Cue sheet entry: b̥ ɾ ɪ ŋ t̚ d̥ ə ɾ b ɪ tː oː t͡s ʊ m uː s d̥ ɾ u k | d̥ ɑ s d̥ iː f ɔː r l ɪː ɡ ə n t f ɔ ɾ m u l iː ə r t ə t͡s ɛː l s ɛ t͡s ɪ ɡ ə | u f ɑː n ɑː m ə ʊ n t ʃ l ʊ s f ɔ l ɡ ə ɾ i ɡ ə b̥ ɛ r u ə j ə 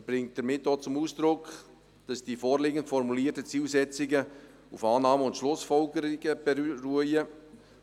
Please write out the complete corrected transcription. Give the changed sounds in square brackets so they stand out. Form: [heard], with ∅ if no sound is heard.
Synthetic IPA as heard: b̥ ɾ ɪ ŋ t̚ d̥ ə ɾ [m] ɪ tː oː t͡s ʊ m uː s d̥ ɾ [ʊ] k | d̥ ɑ s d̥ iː f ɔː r l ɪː ɡ ə n t f ɔ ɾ m u l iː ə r t ə t͡s [iː] l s ɛ t͡s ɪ ɡ ə | u f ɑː n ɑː m ə ʊ n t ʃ l ʊ s f ɔ l ɡ ə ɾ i ɡ ə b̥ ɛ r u ə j ə

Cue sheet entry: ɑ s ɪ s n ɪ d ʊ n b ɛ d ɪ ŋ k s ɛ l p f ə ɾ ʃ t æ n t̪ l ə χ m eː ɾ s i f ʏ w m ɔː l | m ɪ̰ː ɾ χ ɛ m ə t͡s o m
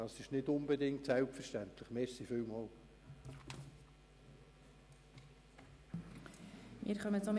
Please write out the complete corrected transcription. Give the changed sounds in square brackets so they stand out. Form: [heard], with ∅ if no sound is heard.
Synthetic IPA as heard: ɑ s ɪ [ʃ] n ɪ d ʊ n b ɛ d ɪ ŋ [t] s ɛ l p f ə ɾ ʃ t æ n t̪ l ə χ m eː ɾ s i f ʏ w m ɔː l | m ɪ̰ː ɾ χ [œ] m ə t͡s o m

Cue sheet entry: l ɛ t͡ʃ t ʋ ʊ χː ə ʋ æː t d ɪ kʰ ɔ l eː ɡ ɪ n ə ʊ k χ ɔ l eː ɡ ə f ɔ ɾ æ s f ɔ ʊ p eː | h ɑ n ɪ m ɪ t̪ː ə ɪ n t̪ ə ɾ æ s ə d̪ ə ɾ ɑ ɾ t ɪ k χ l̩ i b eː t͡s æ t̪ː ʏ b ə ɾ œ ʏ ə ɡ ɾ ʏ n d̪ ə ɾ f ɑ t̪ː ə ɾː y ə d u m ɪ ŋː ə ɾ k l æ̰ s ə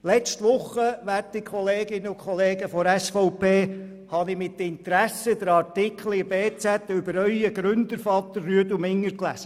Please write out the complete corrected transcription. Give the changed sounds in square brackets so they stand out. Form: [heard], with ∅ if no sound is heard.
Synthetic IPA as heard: l ɛ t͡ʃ t ʋ ʊ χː ə ʋ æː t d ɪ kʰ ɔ l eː ɡ ɪ n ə ʊ k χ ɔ l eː ɡ ə f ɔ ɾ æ s f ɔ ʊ p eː | h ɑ n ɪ m ɪ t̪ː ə ɪ n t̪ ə ɾ æ s ə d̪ ə ɾ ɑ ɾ t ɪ k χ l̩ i b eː t͡s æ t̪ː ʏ b ə ɾ œ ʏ ə ɡ ɾ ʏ n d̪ ə ɾ f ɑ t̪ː ə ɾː y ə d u m ɪ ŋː ə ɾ k l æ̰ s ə

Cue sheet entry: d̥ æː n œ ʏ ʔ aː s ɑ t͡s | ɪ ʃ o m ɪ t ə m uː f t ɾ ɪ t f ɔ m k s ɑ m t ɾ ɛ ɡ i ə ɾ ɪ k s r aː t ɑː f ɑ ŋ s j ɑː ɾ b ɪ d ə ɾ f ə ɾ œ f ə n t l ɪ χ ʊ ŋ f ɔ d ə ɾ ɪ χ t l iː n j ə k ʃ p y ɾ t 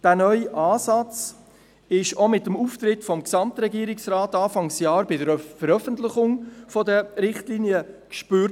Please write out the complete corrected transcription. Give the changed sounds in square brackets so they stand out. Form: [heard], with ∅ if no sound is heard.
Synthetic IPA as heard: d̥ æː n œ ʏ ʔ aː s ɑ t͡s | ɪ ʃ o m ɪ t ə m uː f t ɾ ɪ t f ɔ m k s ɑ m t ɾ ɛ ɡ i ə ɾ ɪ k s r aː t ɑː f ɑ ŋ s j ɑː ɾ b ɪ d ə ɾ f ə ɾ œ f ə n t l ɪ χ ʊ ŋ f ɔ d ə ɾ ɪ χ t l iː n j ə k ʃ p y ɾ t

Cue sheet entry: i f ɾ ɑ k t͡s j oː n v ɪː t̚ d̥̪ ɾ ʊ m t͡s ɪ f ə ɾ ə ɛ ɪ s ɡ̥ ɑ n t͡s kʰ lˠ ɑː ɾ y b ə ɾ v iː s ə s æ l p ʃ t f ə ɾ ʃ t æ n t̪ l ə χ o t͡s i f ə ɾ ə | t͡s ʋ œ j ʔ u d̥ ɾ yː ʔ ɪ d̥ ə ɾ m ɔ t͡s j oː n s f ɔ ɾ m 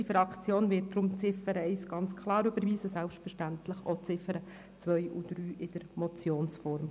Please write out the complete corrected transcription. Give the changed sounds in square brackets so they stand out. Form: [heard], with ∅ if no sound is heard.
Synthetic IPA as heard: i f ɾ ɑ k t͡s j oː n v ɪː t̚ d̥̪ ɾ ʊ m t͡s ɪ f ə ɾ ə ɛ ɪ s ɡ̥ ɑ n t͡s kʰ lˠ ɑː ɾ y b ə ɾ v iː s ə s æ l p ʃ t f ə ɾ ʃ t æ n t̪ l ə χ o t͡s [ɪ] f ə ɾ ə | t͡s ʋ œ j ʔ u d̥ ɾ yː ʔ ɪ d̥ ə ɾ m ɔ t͡s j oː n s f ɔ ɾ m

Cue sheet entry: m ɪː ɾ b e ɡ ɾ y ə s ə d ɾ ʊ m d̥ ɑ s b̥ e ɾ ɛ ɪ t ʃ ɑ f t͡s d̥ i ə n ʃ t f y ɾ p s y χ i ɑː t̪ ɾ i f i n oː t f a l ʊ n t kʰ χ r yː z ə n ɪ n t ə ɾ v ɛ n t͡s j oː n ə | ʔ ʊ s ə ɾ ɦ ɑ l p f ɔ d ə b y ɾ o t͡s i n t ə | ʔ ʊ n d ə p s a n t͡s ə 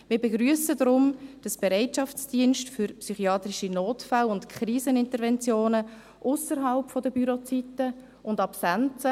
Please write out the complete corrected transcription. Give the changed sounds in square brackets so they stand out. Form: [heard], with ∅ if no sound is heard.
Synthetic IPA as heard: m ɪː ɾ b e ɡ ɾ y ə s ə d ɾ ʊ m d̥ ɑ s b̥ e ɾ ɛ ɪ t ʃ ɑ f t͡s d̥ i ə n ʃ t f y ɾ p s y χ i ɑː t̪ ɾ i [ʃ] i n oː t f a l ʊ n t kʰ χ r [iː] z ə n ɪ n t ə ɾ v ɛ n t͡s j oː n ə | ʔ ʊ s ə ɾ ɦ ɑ l p f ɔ d ə b y ɾ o t͡s i [∅] t ə | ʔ ʊ n d [ɑ] p s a n t͡s ə

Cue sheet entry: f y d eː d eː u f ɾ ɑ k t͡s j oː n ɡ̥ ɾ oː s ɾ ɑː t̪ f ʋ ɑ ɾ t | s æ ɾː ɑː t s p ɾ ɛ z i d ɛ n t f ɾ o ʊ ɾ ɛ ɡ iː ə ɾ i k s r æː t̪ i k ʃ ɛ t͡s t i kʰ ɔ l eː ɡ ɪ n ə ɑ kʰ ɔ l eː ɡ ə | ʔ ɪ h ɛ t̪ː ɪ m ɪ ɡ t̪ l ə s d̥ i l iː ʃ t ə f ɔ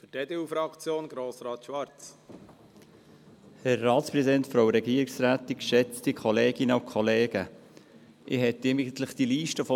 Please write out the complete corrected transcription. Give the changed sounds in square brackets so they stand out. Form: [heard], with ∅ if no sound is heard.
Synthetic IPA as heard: f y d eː d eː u f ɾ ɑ k t͡s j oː n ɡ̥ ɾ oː s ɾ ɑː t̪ [ʃ] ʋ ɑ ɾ [t͡s] | [h] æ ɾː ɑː t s p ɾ ɛ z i d ɛ n t f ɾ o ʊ ɾ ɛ ɡ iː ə ɾ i k s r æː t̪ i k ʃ ɛ t͡s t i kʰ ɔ l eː ɡ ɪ n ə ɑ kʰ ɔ l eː ɡ ə | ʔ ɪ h ɛ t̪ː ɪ m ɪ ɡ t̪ l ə [χ] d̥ i l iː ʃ t ə f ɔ

